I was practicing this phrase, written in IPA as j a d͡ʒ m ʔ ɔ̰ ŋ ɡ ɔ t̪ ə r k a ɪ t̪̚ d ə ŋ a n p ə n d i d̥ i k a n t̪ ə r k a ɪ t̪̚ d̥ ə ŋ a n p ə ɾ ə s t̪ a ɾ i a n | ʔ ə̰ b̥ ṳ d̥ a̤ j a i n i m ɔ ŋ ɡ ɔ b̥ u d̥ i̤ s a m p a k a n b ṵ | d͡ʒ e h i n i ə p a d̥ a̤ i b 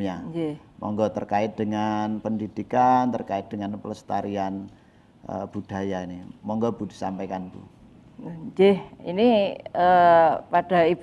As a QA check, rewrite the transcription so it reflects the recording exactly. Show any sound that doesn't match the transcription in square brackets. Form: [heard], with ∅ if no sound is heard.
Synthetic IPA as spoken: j a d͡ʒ m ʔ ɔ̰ ŋ ɡ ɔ t̪ ə r k a ɪ t̪̚ d ə ŋ a n p ə n d i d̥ i k a n t̪ ə r k a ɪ t̪̚ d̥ ə ŋ a n p ə [l] ə s t̪ a ɾ i a n | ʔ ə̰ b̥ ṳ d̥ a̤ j a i n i m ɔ ŋ ɡ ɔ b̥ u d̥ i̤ s a m p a k a n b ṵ | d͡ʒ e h i n i ə p a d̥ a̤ i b